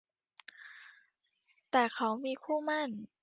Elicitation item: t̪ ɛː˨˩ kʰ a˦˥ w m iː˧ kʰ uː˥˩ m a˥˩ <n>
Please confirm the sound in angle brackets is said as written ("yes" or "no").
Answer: yes